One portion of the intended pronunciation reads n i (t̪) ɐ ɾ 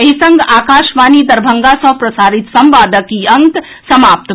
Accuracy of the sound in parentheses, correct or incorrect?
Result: incorrect